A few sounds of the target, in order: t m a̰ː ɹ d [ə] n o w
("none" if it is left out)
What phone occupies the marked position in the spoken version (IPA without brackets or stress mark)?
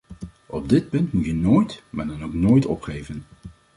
ɑ